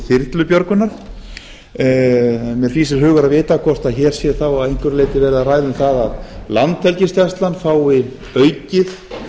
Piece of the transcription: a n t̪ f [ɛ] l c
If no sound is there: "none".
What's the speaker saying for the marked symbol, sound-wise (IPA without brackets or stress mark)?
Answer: ɛ